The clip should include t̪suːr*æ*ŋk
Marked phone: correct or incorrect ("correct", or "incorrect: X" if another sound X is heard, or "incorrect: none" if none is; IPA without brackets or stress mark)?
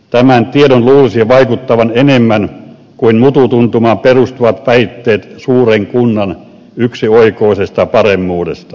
incorrect: e